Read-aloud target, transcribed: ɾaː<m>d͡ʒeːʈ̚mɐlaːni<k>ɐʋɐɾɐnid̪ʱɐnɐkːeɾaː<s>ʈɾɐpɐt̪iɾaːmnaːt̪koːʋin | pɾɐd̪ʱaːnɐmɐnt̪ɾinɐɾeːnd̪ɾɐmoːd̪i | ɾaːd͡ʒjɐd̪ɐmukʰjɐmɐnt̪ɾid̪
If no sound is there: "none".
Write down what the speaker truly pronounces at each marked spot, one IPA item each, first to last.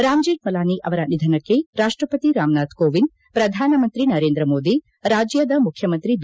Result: m, ʔ, ʂ

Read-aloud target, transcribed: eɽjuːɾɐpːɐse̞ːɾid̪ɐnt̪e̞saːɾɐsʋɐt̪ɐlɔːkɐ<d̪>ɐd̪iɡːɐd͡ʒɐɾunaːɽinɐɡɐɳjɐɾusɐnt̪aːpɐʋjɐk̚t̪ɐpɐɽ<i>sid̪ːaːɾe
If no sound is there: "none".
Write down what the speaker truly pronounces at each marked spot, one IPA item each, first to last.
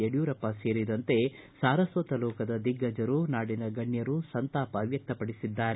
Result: d̪, i

